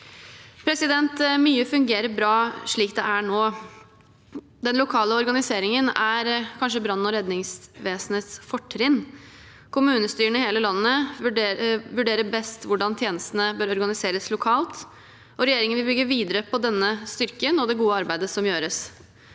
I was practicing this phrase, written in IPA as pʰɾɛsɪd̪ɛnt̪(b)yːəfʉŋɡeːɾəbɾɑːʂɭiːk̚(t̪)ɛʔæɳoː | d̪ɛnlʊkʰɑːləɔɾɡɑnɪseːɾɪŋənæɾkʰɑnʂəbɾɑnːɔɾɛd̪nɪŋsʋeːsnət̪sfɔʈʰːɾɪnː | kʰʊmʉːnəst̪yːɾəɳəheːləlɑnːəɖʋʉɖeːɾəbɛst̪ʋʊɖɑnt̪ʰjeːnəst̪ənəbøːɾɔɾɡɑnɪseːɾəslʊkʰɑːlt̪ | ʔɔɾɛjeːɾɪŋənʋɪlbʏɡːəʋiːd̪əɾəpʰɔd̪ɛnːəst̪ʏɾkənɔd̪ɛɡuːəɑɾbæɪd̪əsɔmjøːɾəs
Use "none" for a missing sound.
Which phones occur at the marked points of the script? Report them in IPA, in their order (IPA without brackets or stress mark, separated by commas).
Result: m, d̪